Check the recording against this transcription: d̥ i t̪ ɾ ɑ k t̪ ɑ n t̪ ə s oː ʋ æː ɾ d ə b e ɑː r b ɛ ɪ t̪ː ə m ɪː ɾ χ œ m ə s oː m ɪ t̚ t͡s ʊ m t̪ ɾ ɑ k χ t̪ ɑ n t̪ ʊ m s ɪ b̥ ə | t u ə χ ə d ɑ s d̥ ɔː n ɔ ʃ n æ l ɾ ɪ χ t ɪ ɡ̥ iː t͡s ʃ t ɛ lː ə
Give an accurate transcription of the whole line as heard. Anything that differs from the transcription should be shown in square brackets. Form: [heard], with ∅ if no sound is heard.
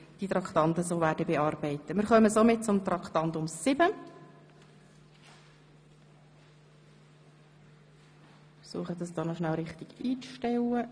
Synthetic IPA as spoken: d̥ i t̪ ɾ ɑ k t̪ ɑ n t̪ ə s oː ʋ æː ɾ d ə b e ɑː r b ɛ ɪ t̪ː ə m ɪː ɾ χ œ m ə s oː m ɪ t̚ t͡s ʊ m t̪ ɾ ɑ k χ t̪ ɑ n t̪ ʊ m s ɪ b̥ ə | [s] u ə χ ə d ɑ s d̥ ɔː n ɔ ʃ n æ l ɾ ɪ χ t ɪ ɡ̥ iː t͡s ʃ t ɛ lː ə